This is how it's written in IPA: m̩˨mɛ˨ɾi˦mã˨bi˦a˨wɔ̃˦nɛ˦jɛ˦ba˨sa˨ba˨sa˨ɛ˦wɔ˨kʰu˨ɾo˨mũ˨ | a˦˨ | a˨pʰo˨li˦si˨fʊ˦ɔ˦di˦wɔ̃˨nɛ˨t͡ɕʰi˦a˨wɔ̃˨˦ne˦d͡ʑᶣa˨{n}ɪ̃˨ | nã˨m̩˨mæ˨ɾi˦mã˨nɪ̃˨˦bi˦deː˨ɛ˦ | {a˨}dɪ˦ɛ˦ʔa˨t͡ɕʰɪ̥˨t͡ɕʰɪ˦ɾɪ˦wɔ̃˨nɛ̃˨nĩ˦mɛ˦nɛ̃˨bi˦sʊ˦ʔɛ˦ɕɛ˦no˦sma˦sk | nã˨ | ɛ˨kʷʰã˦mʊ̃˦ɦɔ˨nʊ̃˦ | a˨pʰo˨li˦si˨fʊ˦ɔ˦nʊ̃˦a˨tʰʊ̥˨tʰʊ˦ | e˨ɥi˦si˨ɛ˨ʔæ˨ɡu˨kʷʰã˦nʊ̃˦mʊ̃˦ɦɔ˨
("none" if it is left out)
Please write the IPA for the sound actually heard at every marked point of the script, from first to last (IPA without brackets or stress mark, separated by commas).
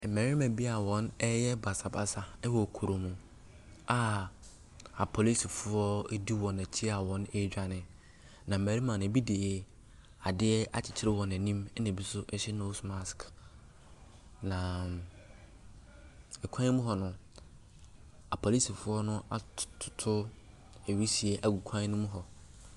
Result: n, a˨